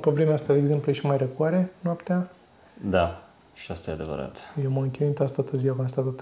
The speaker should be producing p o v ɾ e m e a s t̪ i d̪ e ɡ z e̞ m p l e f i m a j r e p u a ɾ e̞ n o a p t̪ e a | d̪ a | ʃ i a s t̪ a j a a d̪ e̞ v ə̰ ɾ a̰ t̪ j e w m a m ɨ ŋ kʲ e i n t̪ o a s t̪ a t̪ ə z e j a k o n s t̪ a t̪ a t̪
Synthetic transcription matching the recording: p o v ɾ e m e a s t̪ a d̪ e ɡ z e̞ m p l e ʃ i m a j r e k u a ɾ e̞ n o a p t̪ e a | d̪ a | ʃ i a s t̪ a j e a d̪ e̞ v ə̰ ɾ a̰ t̪ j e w m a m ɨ ŋ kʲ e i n t̪ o a s t̪ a t̪ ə z i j a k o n s t̪ a t̪ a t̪